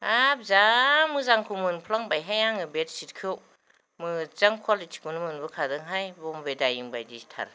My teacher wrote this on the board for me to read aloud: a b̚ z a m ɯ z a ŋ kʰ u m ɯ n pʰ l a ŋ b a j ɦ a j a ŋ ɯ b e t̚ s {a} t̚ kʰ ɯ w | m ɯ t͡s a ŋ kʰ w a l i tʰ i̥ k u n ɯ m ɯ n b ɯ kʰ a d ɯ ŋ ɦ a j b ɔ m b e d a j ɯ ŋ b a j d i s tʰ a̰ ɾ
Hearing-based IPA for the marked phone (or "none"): i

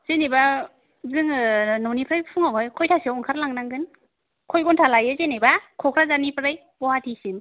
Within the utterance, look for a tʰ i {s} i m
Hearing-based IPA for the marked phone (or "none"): s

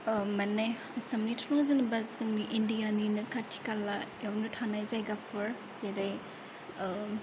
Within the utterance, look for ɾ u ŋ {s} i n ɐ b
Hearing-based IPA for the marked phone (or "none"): z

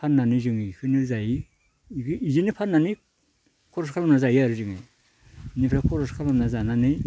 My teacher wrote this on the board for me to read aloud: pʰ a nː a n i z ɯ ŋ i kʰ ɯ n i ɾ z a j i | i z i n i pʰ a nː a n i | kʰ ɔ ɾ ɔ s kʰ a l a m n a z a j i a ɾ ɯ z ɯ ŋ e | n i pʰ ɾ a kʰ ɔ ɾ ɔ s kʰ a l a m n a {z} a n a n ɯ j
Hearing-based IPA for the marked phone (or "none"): z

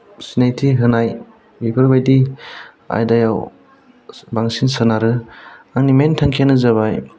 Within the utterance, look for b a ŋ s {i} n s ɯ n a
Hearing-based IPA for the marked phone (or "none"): i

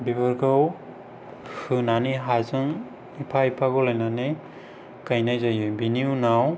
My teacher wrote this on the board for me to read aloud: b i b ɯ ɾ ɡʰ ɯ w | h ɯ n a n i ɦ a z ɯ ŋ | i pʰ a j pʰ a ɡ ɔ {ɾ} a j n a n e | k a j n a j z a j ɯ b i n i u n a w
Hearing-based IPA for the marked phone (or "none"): l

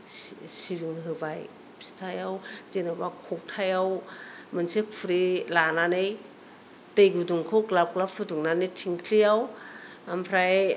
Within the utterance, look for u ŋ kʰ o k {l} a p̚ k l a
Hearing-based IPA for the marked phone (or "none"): l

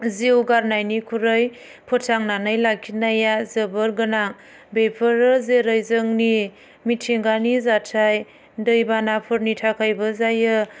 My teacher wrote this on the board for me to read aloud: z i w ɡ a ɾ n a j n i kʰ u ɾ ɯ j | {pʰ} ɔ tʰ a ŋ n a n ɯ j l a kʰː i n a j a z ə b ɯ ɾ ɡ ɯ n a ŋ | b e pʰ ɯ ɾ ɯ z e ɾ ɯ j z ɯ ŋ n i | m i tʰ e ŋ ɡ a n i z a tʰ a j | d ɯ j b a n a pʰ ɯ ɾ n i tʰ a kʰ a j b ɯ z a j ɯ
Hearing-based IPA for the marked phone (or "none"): pʰ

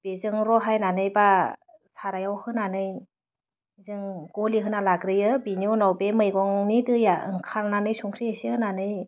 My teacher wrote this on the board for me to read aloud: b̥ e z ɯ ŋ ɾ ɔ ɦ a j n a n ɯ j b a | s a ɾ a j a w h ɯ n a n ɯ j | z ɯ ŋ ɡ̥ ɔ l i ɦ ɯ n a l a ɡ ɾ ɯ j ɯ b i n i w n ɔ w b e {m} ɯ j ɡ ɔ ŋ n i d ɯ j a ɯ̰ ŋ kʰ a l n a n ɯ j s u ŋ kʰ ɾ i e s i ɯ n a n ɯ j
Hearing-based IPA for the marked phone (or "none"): m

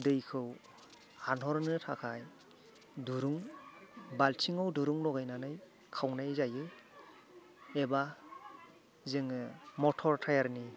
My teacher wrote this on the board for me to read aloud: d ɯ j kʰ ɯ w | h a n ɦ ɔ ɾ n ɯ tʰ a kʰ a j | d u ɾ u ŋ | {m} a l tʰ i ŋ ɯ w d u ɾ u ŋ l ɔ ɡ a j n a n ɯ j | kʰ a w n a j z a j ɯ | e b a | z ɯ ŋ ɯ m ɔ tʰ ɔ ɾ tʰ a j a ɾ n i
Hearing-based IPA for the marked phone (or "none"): b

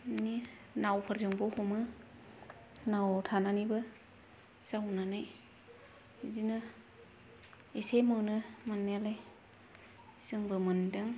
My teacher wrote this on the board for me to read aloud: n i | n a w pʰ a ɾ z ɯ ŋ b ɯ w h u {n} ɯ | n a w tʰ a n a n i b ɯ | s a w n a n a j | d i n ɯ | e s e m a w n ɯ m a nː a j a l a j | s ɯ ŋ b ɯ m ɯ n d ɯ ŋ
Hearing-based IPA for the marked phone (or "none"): m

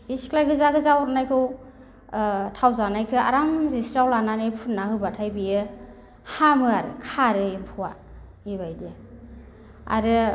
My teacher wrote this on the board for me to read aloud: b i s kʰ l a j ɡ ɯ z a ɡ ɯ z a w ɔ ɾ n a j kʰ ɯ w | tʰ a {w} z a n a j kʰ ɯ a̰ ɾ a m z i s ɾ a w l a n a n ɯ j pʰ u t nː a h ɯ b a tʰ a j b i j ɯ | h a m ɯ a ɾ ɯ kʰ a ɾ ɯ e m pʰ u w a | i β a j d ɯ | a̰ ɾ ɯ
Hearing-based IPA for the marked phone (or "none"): w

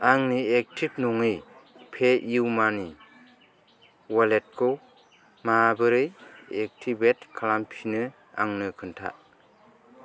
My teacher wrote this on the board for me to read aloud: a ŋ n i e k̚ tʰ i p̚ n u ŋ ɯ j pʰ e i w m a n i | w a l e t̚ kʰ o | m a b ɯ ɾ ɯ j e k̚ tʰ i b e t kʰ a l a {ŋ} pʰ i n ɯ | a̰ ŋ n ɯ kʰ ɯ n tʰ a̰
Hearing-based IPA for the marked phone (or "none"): m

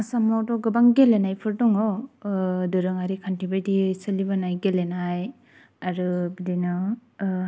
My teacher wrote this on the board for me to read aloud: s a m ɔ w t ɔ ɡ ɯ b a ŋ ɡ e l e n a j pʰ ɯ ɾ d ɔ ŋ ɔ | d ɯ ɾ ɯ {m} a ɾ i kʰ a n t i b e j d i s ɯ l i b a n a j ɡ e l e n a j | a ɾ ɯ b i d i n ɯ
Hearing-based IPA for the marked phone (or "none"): ŋ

